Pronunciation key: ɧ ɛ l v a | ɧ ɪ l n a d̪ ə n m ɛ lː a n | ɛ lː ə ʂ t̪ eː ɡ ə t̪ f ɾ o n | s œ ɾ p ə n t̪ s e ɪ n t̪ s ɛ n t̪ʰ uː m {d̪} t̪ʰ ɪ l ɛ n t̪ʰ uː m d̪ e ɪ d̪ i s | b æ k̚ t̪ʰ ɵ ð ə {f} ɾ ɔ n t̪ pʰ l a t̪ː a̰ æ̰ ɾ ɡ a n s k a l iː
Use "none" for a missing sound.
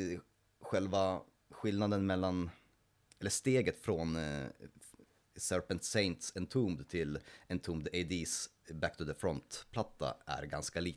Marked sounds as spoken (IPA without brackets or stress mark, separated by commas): d̪, f